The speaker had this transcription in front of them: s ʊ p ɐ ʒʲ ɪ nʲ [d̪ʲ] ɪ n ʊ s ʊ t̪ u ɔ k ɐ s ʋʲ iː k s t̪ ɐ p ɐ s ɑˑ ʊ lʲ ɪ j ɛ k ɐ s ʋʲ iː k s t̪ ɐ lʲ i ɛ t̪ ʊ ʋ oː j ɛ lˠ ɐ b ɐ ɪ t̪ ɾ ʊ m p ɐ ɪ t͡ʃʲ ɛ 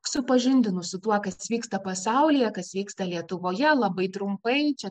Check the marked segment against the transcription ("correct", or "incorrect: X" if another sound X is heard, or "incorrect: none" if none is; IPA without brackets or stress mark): correct